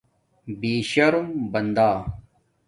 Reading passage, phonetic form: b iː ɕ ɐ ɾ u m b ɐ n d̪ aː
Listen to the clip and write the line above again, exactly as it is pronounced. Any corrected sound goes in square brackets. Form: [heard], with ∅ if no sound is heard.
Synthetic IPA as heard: b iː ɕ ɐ ɾ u m b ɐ n d̪ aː